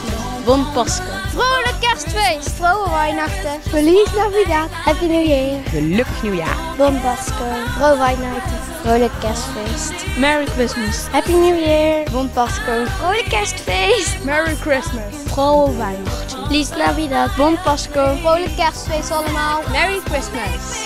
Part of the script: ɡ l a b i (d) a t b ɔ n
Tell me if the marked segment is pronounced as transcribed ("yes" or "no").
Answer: yes